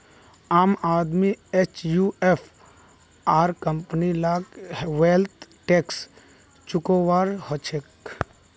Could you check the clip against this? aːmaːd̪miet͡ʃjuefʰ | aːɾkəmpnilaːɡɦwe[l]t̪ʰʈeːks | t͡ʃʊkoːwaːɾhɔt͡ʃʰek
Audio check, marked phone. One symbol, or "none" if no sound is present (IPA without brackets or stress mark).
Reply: l